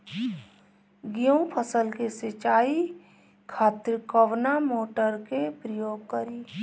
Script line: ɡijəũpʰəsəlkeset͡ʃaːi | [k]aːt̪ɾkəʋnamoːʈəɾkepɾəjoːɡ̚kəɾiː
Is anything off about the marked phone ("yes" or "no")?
yes